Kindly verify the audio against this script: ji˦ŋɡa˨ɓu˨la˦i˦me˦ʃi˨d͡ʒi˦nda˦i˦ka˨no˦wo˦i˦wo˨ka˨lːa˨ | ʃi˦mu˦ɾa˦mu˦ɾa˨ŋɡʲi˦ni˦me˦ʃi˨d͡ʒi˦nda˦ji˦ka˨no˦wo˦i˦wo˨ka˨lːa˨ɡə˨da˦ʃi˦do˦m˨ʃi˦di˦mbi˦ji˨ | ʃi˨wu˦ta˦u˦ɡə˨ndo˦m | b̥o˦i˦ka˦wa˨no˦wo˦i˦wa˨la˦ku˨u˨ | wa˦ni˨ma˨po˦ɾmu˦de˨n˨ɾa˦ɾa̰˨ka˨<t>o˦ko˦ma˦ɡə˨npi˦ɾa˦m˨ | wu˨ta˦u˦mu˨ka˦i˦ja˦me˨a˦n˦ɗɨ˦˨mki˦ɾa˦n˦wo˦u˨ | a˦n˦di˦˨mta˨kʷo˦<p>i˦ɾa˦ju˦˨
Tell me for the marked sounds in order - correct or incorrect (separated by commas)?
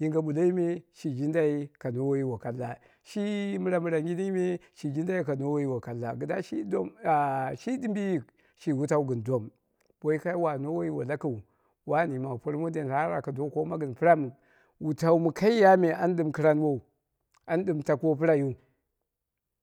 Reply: incorrect, correct